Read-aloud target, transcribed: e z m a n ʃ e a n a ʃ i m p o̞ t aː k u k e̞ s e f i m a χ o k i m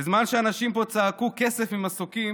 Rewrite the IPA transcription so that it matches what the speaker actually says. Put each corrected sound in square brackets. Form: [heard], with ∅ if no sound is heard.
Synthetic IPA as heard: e z m a n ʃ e a n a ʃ i m p o̞ [t͡s] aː k u k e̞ s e f i m a [s] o k i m